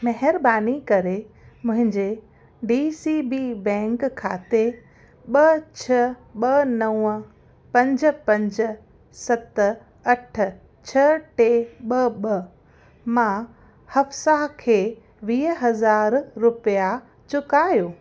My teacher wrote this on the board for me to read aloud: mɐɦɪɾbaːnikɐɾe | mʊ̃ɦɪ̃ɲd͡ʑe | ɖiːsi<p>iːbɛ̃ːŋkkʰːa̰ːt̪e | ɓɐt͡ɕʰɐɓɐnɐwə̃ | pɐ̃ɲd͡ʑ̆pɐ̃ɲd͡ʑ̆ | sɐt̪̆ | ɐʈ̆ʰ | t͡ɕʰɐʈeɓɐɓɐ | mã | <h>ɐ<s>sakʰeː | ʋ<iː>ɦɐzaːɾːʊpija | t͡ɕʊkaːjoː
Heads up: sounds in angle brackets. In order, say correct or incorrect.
incorrect, correct, incorrect, correct

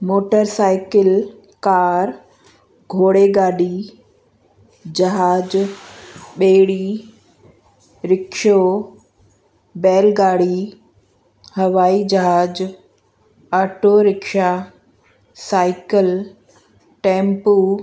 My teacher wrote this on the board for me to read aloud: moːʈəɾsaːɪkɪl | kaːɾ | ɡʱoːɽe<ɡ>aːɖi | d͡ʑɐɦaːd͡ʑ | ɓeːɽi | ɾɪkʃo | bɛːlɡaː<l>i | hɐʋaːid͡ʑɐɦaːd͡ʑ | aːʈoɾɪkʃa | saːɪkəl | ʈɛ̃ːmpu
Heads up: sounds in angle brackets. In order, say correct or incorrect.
correct, incorrect

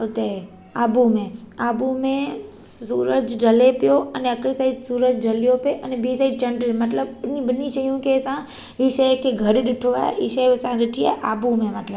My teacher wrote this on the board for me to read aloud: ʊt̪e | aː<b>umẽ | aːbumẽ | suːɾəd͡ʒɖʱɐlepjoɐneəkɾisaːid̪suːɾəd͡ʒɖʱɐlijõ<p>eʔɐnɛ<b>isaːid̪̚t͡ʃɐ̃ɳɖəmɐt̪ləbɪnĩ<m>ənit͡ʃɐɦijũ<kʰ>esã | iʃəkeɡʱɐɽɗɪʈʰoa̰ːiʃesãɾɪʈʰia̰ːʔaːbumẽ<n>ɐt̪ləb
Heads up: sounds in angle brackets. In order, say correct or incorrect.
correct, correct, correct, incorrect, incorrect, incorrect

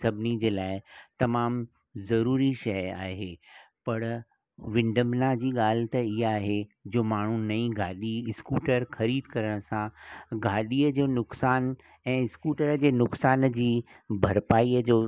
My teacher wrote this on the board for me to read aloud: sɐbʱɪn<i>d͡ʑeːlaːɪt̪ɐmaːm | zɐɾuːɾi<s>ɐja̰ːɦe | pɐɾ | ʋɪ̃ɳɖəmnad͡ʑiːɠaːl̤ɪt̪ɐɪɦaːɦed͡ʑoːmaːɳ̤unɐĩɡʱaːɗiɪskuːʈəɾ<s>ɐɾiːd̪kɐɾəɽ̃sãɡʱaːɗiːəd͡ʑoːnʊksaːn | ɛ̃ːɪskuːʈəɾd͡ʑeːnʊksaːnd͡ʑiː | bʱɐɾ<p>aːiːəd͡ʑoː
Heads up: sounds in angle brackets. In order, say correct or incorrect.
correct, incorrect, incorrect, correct

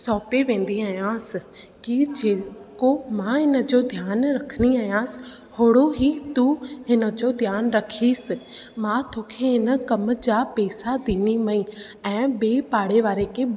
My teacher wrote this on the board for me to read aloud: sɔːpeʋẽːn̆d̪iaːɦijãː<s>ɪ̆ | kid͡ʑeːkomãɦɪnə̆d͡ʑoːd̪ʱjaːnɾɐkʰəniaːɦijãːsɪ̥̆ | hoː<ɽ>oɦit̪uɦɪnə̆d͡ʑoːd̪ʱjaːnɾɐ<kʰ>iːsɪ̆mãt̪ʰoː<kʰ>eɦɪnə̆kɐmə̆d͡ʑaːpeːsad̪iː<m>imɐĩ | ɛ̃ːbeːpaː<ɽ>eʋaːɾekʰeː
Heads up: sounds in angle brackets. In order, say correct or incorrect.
correct, correct, correct, correct, incorrect, correct

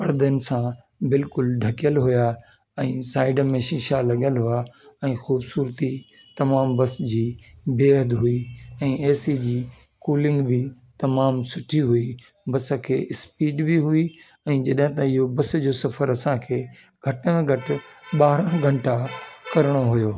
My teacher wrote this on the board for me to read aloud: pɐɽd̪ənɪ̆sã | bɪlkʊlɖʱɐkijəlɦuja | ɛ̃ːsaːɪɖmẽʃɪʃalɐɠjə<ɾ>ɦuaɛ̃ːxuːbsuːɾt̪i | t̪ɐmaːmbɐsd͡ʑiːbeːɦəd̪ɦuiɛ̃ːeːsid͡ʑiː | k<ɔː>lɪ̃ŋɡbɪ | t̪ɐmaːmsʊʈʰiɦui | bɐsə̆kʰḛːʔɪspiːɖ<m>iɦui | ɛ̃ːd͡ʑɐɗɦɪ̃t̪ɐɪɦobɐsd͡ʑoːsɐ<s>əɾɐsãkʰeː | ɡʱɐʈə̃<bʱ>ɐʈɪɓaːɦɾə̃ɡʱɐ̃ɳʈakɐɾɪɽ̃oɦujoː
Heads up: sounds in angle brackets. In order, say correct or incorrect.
incorrect, incorrect, incorrect, incorrect, incorrect

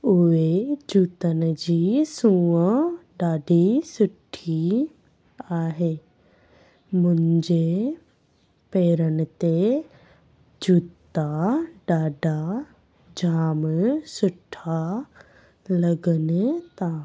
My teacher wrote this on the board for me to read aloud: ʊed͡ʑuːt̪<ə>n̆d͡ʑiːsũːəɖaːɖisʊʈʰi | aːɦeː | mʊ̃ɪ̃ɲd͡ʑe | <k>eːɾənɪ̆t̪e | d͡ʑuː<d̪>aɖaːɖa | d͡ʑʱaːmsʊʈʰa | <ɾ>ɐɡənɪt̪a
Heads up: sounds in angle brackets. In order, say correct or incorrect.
correct, incorrect, incorrect, incorrect

